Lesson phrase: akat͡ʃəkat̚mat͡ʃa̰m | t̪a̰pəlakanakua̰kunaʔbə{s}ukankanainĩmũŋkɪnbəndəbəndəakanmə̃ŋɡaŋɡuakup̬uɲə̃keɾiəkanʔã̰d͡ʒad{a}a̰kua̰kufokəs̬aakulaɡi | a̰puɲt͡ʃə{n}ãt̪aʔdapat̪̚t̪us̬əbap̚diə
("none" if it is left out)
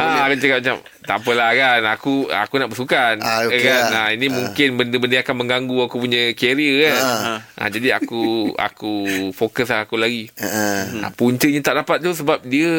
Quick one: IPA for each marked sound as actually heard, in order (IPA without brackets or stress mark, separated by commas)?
s, i, ɲ